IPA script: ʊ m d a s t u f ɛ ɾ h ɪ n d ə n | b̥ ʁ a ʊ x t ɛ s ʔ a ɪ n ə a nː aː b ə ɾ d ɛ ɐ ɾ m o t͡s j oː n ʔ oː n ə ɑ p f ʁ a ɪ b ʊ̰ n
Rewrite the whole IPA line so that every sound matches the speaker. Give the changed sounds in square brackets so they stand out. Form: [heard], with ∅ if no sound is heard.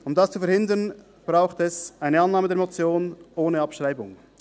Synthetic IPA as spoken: ʊ m d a s [t͡s] u f ɛ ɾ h ɪ n d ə n | b̥ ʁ a ʊ x t ɛ s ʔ a ɪ n ə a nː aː [m] ə [∅] d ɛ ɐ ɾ m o t͡s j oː n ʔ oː n ə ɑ p [ʃ] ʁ a ɪ b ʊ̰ [ŋ]